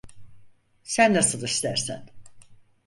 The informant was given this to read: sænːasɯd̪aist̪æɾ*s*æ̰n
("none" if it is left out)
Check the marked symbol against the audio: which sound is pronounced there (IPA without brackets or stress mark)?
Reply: s